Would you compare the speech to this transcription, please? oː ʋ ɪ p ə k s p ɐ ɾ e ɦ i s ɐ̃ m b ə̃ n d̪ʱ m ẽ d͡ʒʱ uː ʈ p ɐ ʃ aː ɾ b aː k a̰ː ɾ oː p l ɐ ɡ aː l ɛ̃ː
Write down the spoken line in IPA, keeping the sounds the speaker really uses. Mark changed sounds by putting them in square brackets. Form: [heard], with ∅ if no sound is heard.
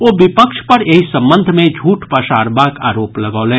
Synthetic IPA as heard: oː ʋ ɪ p ə k [ʃ] p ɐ ɾ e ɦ i s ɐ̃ m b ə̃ n d̪ʱ m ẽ d͡ʒʱ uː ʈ p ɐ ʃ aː ɾ b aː k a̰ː ɾ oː p l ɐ ɡ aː l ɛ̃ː